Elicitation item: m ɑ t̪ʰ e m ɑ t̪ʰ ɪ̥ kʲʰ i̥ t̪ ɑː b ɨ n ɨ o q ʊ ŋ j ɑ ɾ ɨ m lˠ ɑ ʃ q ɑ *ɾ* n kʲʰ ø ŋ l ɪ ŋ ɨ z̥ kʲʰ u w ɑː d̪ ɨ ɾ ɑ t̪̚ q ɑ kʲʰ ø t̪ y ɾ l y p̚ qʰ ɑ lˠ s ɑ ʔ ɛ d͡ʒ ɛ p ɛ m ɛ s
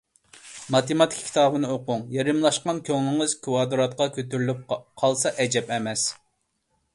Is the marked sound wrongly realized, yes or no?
yes